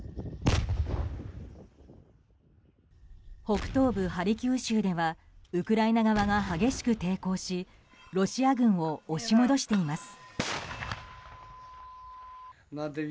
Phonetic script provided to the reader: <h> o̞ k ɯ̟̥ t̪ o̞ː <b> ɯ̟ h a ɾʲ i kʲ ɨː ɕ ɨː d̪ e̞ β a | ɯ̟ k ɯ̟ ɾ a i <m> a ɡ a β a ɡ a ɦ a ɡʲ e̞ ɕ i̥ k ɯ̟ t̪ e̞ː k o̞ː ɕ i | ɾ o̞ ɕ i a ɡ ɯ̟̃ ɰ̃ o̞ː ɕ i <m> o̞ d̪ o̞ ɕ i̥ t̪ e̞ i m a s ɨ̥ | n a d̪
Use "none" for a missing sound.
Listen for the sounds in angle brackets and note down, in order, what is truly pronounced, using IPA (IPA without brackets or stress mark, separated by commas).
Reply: h, b, n, m